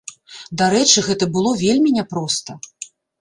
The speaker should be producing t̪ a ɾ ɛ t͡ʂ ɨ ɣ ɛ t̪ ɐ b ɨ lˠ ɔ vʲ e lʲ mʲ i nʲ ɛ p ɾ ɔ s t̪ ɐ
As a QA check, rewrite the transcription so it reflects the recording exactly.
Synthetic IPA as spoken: d̪ a ɾ ɛ t͡ʂ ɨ ɣ ɛ t̪ ɐ b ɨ lˠ ɔ vʲ e lʲ mʲ i nʲ ɛ p ɾ ɔ s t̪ ɐ